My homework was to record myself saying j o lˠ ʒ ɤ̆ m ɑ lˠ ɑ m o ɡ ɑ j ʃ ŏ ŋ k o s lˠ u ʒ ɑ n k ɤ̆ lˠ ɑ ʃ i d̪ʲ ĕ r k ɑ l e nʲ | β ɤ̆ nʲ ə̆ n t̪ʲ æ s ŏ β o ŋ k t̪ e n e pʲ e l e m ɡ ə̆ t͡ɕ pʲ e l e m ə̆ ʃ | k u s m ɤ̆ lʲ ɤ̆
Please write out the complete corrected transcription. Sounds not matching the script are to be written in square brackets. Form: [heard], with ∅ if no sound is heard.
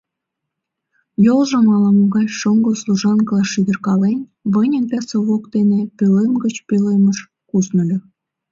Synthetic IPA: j o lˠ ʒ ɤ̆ m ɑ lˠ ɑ m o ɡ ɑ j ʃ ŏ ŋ [ɡ] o s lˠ u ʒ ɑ n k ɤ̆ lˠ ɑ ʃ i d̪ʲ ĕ r k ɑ l e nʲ | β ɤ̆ nʲ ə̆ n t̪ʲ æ s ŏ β o [∅] k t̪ e n e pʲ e l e m ɡ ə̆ t͡ɕ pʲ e l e m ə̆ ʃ | k u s [n] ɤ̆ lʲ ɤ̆